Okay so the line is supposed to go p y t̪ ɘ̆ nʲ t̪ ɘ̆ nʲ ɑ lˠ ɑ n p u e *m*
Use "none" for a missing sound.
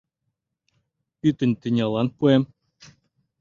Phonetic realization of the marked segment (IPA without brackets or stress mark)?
m